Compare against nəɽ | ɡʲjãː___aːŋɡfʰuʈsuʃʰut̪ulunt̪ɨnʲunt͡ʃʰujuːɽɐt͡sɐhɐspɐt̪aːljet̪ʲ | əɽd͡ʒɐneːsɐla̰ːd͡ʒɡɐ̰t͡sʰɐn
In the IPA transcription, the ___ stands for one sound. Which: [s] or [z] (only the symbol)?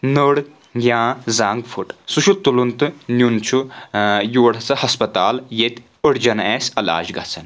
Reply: z